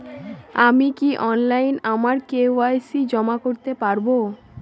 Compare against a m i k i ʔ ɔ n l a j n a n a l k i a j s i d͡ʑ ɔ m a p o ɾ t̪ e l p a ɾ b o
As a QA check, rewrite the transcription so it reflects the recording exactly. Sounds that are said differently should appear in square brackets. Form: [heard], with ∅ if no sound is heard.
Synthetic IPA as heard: a m i k i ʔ ɔ n l a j n a [m] a [ɾ] k [e] a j s i d͡ʑ ɔ m a [k] o ɾ t̪ e [∅] p a ɾ b o